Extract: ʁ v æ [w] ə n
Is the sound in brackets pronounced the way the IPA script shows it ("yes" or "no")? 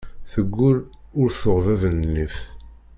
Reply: no